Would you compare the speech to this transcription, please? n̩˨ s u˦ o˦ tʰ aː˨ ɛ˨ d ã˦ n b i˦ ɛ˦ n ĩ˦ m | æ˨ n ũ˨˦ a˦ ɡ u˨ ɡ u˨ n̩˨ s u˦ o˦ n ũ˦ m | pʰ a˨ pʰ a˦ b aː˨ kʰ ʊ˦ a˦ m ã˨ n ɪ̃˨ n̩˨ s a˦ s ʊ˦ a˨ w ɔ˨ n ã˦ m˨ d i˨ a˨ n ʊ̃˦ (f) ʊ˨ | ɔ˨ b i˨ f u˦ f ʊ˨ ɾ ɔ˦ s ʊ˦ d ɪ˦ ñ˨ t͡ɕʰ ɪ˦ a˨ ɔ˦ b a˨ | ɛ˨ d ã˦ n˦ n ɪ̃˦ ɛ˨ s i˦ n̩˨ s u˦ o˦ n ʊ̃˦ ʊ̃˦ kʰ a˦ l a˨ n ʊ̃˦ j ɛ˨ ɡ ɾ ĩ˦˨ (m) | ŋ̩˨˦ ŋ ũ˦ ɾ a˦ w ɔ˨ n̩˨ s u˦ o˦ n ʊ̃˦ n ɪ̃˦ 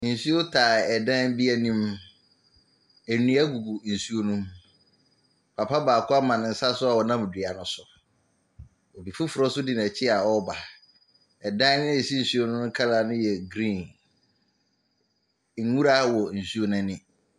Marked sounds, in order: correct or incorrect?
incorrect, incorrect

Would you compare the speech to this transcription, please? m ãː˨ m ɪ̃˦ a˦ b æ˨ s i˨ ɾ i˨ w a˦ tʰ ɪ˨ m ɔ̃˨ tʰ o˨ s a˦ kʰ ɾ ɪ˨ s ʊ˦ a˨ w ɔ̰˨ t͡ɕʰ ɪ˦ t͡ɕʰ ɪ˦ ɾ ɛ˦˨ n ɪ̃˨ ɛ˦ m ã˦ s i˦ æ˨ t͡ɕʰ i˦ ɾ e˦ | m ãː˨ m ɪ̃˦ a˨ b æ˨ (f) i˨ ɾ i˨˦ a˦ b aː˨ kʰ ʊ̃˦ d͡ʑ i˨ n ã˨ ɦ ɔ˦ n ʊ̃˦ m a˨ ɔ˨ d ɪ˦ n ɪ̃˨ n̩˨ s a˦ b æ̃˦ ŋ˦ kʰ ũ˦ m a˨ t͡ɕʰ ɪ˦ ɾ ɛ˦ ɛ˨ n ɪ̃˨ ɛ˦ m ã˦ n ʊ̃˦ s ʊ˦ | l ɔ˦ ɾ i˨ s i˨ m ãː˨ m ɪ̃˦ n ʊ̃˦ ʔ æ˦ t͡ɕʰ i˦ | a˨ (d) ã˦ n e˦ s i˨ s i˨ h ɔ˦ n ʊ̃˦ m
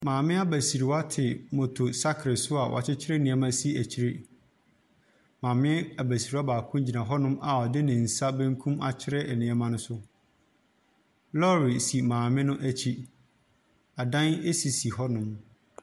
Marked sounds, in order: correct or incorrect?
incorrect, correct

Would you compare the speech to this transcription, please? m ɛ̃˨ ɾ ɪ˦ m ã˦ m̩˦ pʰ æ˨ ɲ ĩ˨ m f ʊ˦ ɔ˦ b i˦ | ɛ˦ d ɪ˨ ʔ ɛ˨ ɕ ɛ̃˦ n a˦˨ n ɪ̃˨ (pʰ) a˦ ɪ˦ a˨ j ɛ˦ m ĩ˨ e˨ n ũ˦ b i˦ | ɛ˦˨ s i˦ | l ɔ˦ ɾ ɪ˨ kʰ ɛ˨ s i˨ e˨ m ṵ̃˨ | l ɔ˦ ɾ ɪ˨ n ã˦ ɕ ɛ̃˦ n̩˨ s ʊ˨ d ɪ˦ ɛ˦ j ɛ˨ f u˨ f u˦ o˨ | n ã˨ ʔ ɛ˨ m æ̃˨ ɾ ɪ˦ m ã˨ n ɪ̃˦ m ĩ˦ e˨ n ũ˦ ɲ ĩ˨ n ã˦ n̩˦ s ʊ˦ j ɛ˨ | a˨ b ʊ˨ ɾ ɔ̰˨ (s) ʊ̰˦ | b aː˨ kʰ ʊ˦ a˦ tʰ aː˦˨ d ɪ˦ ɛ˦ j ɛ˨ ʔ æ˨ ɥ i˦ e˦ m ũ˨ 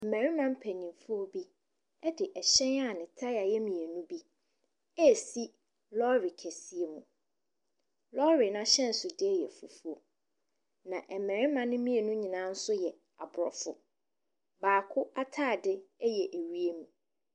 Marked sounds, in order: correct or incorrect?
incorrect, incorrect

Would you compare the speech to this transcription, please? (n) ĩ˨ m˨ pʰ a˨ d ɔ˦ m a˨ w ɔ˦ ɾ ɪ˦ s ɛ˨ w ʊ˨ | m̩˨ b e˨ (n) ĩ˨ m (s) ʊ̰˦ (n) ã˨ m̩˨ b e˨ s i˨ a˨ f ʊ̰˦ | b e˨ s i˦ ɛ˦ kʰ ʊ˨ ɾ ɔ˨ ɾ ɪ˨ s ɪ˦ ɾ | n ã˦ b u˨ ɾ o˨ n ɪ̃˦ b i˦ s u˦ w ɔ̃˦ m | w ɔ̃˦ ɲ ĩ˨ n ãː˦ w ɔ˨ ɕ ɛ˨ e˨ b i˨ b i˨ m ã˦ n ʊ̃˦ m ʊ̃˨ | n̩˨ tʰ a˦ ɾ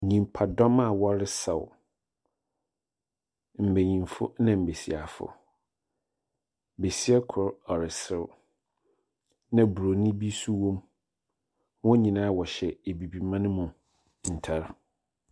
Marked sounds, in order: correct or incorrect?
incorrect, incorrect, incorrect, correct

